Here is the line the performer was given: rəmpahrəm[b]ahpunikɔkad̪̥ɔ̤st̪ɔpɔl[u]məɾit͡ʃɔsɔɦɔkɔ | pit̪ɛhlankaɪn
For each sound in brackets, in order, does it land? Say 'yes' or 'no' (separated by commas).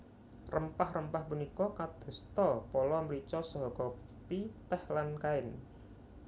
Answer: no, no